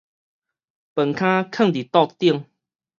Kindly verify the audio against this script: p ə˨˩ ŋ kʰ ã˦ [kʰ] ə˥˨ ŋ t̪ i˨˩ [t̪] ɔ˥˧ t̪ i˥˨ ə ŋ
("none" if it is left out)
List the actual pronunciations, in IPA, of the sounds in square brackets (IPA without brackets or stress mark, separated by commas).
kʰ, t̪